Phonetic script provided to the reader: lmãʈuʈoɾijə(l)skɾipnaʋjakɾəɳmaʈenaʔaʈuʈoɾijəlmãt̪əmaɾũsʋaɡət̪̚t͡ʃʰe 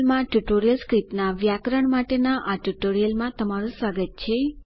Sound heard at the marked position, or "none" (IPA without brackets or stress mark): l